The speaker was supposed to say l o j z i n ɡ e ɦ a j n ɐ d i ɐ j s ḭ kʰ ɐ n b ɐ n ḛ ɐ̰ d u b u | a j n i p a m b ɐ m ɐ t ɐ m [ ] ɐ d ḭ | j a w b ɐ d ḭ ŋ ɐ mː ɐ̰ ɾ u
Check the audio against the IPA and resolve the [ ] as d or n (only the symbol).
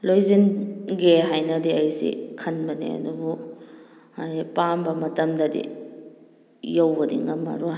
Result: d